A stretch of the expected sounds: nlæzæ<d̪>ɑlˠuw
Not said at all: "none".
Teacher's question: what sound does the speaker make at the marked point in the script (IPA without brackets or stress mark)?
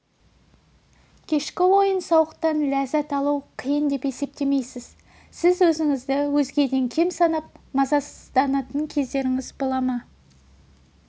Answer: t̪